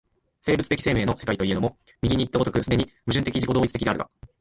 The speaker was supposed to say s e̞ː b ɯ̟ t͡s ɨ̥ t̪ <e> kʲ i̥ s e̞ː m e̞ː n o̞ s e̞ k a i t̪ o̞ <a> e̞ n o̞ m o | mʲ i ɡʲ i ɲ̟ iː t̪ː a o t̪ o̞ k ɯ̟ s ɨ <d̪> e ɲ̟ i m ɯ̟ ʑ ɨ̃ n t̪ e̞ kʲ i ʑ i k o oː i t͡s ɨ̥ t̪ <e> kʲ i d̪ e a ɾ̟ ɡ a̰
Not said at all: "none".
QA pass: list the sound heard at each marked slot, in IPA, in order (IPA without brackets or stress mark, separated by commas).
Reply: e, i, d̪, e